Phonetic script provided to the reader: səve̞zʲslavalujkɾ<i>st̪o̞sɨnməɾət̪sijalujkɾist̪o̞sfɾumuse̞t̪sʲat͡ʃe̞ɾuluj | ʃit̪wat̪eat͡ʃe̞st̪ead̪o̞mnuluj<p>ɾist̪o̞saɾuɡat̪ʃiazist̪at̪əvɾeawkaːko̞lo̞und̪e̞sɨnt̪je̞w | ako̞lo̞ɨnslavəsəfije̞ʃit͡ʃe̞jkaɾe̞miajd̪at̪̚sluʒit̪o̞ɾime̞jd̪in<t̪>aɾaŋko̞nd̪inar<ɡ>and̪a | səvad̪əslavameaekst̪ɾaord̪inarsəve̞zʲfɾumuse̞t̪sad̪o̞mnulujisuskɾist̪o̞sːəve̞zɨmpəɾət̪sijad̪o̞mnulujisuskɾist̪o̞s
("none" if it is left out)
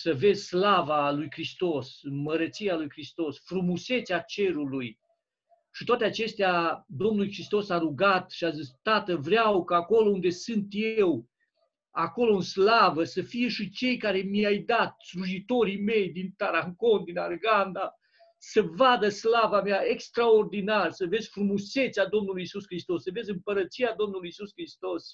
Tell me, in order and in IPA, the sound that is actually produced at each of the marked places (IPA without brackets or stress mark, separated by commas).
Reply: i, k, t̪, ɡ